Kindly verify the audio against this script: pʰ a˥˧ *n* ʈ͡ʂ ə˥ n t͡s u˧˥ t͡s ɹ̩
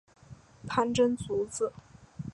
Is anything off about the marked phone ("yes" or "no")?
no